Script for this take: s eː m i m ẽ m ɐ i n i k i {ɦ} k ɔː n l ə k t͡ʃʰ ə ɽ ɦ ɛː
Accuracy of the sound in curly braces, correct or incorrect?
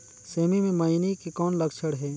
incorrect